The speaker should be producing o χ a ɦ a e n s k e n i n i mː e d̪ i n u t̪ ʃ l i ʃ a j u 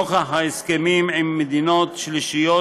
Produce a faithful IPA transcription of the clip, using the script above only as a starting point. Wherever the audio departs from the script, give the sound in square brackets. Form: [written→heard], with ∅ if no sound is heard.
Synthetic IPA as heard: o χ a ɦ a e [n→∅] s k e [n→m] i [n→m] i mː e d̪ i n [u→o] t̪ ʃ l i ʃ [a→i] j [u→o]